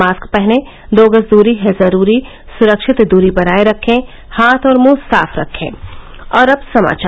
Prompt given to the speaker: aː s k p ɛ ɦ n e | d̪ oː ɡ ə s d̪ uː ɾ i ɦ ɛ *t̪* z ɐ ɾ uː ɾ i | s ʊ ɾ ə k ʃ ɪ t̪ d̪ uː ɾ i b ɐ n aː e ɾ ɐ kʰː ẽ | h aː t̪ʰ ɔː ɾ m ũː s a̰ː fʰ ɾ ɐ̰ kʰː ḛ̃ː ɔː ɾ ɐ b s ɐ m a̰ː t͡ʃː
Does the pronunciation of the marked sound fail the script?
yes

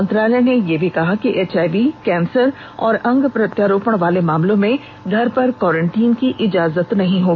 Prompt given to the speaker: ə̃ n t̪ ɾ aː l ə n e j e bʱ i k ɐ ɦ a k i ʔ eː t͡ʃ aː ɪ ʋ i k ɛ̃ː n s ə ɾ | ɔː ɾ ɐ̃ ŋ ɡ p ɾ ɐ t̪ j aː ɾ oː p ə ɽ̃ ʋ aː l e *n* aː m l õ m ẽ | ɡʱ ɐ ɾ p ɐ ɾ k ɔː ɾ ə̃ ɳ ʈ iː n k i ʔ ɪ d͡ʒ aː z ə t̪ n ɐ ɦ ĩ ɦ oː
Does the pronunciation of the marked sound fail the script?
yes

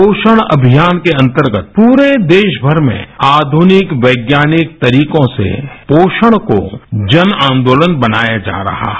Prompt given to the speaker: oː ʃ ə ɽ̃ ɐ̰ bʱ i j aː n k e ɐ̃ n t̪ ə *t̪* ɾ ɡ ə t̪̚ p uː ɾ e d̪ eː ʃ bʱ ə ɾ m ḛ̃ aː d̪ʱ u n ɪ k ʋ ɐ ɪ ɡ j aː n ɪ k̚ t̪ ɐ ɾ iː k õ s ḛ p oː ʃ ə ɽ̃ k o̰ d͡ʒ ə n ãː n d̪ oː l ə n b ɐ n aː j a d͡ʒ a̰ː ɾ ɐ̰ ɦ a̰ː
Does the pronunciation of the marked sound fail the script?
yes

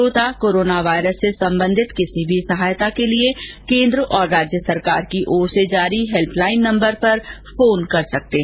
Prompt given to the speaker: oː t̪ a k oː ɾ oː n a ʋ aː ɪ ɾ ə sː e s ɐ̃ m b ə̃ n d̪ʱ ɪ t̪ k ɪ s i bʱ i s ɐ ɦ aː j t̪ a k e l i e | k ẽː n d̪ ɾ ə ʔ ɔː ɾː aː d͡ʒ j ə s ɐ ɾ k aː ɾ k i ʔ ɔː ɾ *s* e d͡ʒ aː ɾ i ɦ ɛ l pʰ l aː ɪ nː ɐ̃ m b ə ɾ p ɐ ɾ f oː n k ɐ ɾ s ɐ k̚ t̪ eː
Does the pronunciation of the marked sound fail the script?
no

